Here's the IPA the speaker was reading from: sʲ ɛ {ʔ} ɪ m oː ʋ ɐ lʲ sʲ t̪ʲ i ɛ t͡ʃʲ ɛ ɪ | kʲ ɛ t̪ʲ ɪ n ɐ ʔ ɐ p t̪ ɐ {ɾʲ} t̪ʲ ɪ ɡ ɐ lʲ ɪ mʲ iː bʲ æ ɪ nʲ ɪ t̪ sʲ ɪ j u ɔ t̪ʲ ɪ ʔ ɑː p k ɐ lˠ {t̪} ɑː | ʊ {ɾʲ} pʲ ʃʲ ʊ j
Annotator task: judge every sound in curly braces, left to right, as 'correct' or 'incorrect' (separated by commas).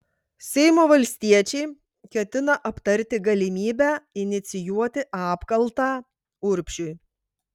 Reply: incorrect, correct, correct, correct